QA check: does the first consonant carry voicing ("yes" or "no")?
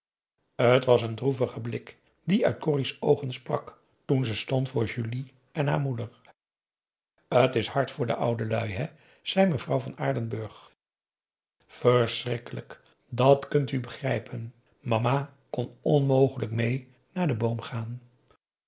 no